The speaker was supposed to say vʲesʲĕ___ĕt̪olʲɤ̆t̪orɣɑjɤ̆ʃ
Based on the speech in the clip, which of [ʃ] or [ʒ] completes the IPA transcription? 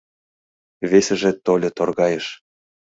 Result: ʒ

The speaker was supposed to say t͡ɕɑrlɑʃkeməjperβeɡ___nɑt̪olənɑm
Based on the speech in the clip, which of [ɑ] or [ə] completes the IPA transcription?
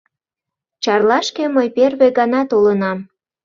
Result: ɑ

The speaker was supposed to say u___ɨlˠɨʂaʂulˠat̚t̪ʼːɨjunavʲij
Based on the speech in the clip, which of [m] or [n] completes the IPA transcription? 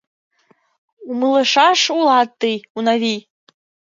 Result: m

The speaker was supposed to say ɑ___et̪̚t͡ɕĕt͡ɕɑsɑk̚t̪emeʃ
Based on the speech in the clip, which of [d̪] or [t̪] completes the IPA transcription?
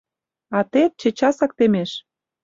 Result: t̪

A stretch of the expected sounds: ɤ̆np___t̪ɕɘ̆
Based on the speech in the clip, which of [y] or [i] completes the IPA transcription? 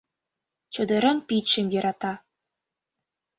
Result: i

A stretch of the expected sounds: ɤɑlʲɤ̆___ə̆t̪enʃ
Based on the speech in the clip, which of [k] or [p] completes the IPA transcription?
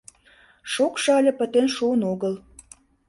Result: p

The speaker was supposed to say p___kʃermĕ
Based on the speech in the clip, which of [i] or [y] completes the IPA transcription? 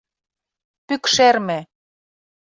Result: y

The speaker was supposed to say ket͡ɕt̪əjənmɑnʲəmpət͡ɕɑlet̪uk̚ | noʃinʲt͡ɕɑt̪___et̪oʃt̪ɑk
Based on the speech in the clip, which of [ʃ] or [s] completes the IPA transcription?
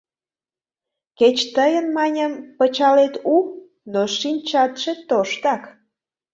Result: ʃ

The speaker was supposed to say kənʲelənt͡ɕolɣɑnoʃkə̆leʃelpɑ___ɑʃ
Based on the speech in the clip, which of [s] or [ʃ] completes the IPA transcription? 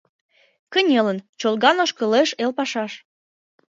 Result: ʃ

